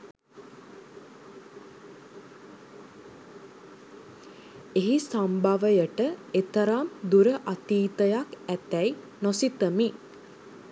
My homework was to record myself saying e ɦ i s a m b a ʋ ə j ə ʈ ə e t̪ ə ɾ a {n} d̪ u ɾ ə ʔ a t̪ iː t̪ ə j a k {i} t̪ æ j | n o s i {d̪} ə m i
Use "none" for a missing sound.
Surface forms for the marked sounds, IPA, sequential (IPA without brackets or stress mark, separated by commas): m, æ, t̪